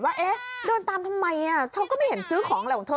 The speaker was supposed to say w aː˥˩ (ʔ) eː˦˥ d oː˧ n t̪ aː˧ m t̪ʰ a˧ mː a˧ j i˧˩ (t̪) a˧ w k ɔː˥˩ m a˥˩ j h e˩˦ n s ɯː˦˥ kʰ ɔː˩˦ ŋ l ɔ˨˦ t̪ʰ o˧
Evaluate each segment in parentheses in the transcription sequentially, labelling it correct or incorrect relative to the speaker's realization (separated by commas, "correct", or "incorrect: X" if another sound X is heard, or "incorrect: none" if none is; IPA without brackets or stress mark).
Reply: correct, incorrect: t̪ʰ